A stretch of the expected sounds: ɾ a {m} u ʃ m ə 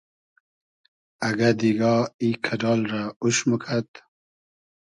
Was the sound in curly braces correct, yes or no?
no